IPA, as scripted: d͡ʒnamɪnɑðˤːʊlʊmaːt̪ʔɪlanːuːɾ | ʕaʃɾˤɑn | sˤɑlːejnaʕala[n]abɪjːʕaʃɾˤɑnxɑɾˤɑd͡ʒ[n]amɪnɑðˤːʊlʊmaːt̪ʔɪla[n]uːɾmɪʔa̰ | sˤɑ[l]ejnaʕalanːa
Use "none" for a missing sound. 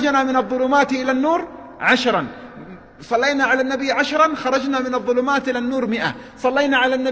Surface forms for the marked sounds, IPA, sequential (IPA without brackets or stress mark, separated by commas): nː, n, nː, lː